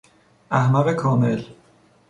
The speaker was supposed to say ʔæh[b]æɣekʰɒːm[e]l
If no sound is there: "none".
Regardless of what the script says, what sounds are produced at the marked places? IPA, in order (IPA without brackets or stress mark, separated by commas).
m, e